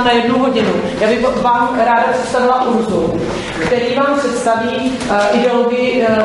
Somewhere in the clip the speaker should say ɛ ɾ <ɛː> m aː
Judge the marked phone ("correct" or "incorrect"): incorrect